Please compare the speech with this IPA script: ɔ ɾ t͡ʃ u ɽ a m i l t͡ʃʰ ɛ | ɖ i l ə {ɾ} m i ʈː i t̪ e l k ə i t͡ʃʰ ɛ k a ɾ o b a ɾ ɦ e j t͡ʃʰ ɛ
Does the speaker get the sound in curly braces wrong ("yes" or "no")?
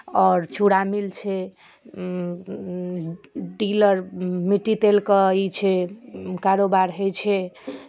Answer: no